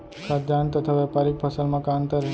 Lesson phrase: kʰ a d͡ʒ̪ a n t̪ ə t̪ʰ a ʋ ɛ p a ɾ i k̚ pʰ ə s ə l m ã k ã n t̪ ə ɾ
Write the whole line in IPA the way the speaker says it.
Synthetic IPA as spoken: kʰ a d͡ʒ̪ a n t̪ ə t̪ʰ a ʋ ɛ p a ɾ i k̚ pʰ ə s ə l m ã k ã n t̪ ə ɾ